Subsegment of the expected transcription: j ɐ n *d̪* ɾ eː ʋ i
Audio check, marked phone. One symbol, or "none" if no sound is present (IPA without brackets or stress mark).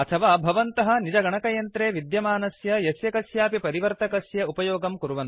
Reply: t̪